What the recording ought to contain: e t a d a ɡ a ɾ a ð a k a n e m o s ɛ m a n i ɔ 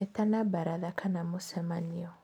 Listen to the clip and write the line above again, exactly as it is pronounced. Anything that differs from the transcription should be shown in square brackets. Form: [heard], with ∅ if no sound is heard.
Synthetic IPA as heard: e t a [n] a [b] a ɾ a ð a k a n [a] m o s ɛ m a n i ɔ